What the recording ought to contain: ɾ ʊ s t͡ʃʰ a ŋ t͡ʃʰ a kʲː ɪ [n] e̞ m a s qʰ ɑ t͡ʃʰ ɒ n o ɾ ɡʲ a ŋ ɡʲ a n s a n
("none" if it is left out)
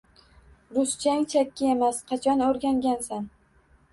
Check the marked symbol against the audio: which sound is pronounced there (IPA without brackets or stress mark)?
none